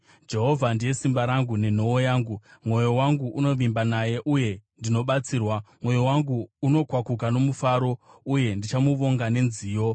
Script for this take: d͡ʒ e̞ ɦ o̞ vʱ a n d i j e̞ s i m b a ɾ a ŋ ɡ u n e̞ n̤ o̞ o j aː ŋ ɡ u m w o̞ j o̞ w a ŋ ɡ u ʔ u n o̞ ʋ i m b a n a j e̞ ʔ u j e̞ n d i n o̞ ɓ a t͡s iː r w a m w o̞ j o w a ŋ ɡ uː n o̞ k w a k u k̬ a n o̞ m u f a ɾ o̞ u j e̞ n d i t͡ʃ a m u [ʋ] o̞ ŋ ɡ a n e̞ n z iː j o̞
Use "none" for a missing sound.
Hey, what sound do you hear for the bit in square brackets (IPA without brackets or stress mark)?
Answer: ʋ